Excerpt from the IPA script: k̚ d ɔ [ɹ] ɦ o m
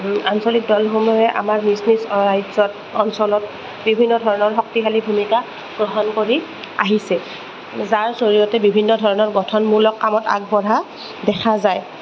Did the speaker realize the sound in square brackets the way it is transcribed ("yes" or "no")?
no